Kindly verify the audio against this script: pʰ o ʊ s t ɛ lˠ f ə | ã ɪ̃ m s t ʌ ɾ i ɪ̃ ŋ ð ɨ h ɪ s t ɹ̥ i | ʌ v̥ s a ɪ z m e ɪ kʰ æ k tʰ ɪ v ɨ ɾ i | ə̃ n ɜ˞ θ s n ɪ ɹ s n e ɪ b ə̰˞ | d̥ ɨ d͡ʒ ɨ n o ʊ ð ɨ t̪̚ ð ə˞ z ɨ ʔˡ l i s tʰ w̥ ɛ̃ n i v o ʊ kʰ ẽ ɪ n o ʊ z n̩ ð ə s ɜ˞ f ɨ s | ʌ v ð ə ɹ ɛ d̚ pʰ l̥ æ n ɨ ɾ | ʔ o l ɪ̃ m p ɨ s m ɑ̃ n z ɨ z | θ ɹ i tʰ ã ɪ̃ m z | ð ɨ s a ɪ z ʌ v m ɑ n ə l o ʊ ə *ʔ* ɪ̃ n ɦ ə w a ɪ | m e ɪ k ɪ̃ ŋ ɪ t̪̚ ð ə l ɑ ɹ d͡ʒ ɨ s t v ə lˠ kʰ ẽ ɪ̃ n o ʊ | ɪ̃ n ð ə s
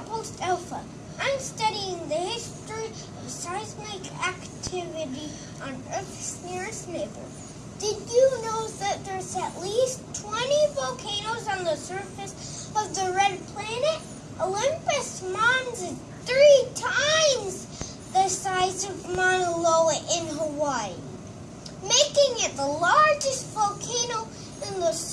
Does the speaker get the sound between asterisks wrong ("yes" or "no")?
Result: no